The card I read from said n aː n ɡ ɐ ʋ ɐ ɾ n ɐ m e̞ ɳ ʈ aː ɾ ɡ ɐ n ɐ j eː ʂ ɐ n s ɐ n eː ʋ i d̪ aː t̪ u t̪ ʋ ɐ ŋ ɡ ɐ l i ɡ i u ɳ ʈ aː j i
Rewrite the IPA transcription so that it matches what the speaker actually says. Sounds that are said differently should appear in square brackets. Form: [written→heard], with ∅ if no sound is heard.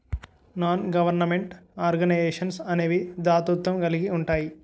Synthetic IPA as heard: n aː n ɡ ɐ ʋ ɐ ɾ n ɐ m e̞ ɳ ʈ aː ɾ ɡ ɐ n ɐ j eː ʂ ɐ n s ɐ n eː ʋ i d̪ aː t̪ u t̪ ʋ ɐ [ŋ→m] ɡ ɐ l i ɡ i u ɳ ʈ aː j i